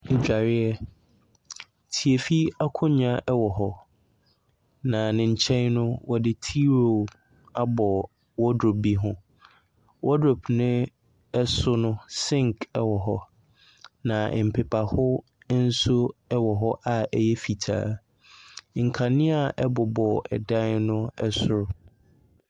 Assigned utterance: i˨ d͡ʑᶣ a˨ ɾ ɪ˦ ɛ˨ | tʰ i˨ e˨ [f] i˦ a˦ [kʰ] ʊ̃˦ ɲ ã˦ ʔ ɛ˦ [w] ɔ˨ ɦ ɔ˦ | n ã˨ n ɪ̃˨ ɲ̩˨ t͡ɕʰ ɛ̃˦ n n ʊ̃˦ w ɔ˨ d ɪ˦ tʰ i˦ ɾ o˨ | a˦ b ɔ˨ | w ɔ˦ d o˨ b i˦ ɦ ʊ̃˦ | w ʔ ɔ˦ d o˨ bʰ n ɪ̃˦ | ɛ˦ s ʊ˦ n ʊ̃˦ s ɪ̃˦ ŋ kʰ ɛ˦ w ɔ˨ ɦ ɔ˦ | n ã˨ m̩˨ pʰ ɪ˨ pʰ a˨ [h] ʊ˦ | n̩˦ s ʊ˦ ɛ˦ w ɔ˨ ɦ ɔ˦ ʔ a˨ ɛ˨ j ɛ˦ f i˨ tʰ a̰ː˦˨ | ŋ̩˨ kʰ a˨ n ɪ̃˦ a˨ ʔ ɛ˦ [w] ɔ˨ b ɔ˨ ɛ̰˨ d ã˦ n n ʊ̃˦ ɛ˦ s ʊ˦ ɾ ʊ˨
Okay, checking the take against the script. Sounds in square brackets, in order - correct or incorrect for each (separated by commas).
correct, correct, correct, correct, incorrect